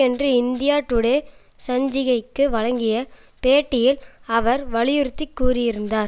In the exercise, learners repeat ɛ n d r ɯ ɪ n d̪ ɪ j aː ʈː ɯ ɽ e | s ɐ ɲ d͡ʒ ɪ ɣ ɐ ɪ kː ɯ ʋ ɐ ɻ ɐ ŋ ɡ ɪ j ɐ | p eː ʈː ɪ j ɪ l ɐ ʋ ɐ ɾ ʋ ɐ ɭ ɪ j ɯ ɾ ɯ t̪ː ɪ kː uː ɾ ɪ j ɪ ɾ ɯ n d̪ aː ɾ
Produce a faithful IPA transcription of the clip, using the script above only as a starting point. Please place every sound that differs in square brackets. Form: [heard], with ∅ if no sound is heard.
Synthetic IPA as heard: ɛ n d r ɯ ɪ n d̪ ɪ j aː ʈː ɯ ɽ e | s ɐ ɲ d͡ʒ ɪ ɣ ɐ ɪ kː ɯ ʋ ɐ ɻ ɐ ŋ ɡ ɪ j ɐ | p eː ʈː ɪ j ɪ l ɐ ʋ ɐ ɾ ʋ ɐ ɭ ɪ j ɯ ɾ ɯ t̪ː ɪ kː uː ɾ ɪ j ɪ ɾ ɯ n d̪ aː ɾ